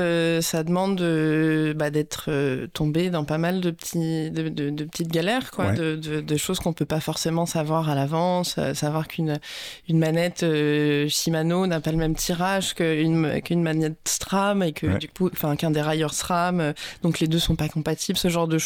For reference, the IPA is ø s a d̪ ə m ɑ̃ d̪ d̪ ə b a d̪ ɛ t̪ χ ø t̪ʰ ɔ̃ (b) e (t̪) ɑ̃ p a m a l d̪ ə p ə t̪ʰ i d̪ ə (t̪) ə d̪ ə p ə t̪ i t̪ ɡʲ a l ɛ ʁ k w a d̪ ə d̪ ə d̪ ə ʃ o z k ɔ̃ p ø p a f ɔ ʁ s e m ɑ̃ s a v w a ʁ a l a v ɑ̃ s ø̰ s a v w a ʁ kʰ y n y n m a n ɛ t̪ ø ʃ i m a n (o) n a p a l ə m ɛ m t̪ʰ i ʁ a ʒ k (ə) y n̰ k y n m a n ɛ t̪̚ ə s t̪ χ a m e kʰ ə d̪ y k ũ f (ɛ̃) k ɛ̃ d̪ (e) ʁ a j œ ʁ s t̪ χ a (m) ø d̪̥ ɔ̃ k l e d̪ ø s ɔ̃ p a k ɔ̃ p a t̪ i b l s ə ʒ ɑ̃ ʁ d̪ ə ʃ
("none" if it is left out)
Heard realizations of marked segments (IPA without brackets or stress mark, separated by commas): b, d̪, d̪, o, ə, ɛ̃, e, m